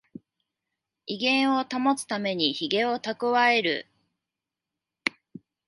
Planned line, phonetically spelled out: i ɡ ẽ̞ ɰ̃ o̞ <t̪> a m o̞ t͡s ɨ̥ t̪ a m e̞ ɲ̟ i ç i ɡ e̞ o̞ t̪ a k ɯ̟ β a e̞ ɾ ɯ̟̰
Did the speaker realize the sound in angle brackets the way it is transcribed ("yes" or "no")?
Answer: yes